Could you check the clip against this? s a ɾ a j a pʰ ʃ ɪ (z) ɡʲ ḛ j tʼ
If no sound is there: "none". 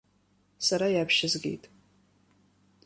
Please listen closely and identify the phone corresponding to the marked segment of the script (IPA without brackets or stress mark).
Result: z